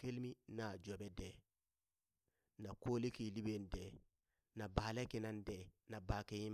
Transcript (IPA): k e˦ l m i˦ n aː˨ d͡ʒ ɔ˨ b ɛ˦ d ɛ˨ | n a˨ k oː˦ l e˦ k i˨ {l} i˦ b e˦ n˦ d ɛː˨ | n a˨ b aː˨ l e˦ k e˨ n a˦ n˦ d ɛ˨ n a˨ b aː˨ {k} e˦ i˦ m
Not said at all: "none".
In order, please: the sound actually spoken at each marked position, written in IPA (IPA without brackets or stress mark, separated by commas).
l, k